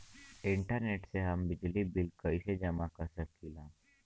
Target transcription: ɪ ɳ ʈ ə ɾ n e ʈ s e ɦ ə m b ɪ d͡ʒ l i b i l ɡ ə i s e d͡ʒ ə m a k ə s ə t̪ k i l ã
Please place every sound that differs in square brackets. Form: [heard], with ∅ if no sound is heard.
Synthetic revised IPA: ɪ ɳ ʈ ə ɾ n e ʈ s e ɦ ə m b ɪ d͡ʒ l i b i l [k] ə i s e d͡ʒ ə m a k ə s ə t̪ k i l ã